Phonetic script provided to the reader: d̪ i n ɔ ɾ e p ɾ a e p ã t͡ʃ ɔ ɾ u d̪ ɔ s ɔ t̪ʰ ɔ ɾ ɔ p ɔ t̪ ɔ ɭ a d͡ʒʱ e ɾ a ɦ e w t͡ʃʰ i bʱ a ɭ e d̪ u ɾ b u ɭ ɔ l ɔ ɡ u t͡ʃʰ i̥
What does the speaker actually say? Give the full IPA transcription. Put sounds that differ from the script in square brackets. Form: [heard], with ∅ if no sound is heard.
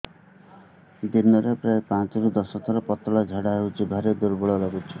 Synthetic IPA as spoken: d̪ i n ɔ ɾ e p ɾ a e p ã t͡ʃ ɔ ɾ u d̪ ɔ s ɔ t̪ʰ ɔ ɾ ɔ p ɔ t̪ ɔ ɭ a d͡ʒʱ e [ɽ] a ɦ e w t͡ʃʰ i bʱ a [ɾ] e d̪ u ɾ b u ɭ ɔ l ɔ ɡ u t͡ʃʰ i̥